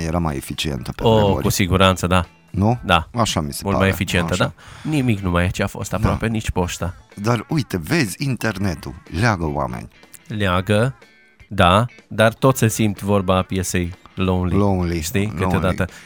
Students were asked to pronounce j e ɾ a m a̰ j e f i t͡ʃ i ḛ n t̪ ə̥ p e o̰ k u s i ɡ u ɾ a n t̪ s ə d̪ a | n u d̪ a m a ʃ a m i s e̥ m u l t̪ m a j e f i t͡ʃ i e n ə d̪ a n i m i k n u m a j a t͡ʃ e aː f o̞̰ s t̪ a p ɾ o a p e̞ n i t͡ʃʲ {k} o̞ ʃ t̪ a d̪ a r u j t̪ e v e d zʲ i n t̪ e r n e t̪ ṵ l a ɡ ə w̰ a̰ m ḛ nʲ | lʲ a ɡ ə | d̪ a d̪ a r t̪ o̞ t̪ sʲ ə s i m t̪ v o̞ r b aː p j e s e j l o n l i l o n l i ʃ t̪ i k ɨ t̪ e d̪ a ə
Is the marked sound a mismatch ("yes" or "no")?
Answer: yes